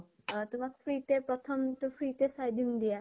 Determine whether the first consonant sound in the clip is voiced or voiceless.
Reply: voiceless